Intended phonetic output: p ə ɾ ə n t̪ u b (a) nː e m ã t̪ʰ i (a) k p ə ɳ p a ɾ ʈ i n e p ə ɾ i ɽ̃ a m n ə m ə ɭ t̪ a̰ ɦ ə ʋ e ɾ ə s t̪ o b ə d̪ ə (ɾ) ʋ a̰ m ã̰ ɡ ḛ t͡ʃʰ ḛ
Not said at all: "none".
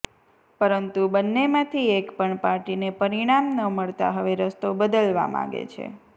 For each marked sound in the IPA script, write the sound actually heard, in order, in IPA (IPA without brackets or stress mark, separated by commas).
ə, e, l